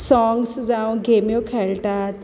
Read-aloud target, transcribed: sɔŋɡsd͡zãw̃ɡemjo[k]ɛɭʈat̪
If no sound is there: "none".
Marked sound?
kʰ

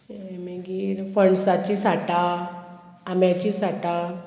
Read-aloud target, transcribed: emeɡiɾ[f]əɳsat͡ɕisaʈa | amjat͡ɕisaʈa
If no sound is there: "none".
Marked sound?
f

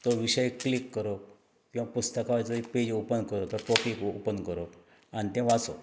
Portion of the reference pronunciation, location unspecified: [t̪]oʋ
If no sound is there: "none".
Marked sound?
t̪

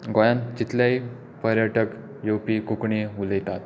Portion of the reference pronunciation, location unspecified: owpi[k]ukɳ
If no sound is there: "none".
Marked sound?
k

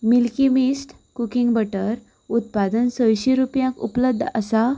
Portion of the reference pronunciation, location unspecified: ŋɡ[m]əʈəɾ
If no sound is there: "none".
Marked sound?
b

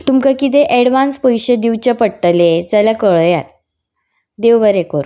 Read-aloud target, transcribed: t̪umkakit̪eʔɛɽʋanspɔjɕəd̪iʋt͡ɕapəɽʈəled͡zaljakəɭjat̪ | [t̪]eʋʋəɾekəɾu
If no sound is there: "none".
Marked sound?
d̪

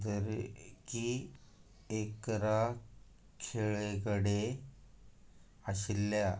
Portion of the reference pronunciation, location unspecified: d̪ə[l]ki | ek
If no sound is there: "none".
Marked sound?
ɾ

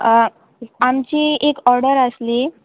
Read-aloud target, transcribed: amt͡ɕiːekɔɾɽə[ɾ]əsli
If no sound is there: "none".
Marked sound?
ɾ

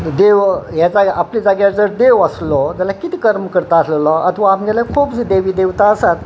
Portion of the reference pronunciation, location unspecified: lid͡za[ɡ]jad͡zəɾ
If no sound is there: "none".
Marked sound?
ɡ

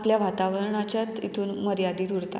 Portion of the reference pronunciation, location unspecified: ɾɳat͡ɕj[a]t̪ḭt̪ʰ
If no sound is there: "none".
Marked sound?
a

